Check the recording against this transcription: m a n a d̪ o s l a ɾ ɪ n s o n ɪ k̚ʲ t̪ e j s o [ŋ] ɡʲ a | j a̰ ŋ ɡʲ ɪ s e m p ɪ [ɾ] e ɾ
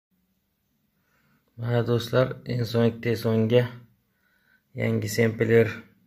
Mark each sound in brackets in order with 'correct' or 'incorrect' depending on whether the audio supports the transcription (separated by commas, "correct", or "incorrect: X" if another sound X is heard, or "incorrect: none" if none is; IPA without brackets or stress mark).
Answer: correct, incorrect: l